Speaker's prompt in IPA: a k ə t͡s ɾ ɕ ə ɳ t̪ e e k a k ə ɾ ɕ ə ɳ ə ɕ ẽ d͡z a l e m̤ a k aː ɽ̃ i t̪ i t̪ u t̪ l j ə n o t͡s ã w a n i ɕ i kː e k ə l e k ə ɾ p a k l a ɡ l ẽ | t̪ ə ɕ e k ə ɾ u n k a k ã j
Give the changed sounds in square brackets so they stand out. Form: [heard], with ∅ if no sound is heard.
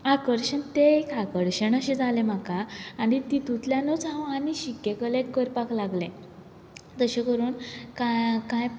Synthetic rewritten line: a k ə [∅] ɾ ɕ ə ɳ t̪ e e k a k ə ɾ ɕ ə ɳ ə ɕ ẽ d͡z a l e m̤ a k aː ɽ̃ i t̪ i t̪ u t̪ l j [a] n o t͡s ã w a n i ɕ i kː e k ə l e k ə ɾ p a k l a ɡ l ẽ | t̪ ə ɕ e k ə ɾ [uː] n k a k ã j